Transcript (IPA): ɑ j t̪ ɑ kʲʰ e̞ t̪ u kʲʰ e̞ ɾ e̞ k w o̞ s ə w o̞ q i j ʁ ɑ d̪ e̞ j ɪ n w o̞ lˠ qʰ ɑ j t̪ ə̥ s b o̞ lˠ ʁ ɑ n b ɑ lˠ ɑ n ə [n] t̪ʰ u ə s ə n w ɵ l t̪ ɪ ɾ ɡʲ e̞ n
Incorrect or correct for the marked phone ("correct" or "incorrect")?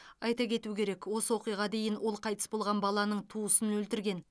incorrect